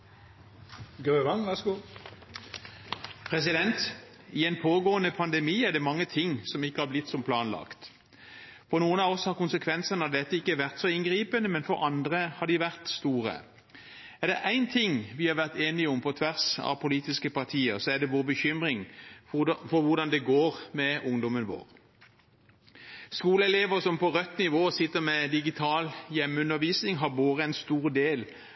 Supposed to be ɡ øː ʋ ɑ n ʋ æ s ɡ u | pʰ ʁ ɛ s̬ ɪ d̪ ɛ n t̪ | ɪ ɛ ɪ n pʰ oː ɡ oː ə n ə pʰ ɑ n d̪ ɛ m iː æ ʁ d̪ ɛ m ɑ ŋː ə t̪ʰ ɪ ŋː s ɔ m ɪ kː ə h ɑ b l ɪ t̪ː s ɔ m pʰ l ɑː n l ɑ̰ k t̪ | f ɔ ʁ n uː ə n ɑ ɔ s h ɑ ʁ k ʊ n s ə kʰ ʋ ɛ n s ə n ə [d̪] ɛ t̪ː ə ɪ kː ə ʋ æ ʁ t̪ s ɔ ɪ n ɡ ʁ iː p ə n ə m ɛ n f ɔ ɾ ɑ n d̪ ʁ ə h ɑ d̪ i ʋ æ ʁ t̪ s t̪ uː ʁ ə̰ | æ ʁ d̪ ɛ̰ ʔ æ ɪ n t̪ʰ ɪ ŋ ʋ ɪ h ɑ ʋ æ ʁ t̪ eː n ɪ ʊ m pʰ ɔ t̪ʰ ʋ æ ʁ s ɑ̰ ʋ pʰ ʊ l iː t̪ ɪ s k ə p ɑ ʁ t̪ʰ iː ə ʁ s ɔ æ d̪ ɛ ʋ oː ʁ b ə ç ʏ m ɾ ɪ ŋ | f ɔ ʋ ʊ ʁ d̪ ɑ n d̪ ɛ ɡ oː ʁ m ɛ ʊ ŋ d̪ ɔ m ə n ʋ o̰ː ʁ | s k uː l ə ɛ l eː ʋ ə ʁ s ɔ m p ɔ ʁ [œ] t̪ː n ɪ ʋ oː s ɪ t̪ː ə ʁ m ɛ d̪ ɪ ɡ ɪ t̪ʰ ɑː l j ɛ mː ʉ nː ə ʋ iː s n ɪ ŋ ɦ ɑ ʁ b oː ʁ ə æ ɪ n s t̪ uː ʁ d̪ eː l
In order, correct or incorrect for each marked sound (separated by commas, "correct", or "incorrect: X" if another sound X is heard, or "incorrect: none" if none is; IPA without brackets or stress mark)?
correct, correct